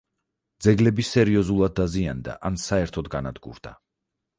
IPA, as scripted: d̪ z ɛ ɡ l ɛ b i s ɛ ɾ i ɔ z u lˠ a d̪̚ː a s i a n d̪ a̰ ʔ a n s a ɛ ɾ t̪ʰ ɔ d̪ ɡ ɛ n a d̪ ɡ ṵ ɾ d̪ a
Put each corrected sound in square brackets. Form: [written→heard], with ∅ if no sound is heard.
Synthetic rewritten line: d̪ z ɛ ɡ l ɛ b i s ɛ ɾ i ɔ z u lˠ a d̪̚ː a [s→z] i a n d̪ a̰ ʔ a n s a ɛ ɾ t̪ʰ ɔ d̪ ɡ [ɛ→a] n a d̪ ɡ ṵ ɾ d̪ a